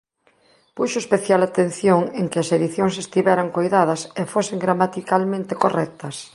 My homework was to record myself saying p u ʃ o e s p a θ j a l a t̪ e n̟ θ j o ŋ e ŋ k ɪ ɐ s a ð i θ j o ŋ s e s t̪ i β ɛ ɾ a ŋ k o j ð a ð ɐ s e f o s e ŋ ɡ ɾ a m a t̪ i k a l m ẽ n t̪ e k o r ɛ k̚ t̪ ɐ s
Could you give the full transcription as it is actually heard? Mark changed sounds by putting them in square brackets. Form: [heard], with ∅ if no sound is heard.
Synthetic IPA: p u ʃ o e s p [e] θ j a l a t̪ e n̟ θ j o ŋ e ŋ k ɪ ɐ s [e] ð i θ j o ŋ s e s t̪ i β ɛ ɾ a ŋ k o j ð a ð ɐ s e f o s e ŋ ɡ ɾ a m a t̪ i k a l m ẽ n t̪ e k o r ɛ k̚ t̪ ɐ s